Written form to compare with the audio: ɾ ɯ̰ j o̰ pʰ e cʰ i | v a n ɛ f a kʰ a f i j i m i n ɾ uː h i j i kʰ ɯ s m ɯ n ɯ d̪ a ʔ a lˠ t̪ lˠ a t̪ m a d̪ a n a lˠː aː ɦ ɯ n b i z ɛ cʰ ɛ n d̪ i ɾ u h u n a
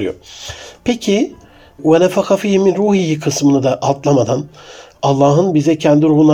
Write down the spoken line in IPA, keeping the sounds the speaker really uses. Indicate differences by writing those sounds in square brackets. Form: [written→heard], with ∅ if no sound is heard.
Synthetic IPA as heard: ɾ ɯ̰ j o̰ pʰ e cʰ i | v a n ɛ f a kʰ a f i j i m i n ɾ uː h i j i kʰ ɯ s m ɯ n ɯ d̪ a ʔ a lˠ t̪ lˠ a [t̪→∅] m a d̪ a n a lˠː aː ɦ ɯ n b i z ɛ cʰ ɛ n d̪ i ɾ u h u n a